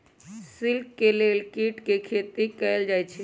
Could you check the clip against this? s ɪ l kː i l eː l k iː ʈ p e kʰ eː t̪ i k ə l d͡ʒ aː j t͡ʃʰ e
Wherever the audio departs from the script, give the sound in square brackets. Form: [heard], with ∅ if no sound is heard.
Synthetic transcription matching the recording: s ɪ l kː [e] l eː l k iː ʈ [k] e kʰ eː t̪ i k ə l d͡ʒ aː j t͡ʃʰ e